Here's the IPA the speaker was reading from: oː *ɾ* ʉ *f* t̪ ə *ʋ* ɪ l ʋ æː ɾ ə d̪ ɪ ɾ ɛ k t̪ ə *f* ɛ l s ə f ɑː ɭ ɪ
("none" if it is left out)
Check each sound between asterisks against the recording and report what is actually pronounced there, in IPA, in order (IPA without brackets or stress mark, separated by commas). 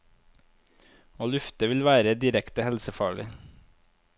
l, f, ʋ, h